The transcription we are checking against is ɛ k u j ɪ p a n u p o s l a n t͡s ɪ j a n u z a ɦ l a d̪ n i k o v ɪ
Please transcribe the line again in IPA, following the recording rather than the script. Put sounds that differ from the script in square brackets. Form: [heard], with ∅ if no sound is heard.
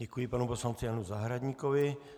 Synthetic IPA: ɛ k u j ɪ p a n u p o s l a n t͡s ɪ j a n u z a ɦ [ɾ] a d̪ [ɲ] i k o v ɪ